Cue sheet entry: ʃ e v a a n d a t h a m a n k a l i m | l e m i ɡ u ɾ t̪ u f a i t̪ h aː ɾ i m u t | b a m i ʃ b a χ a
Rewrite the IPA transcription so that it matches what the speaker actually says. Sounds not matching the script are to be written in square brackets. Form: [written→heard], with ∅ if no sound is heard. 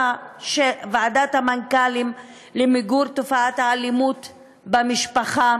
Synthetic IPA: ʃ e v a a [n→∅] d a t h a m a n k a l i m | l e m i ɡ u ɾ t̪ [u→o] f a [i→a] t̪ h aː [ɾ→l] i m u t | b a m i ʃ [b→p] a χ a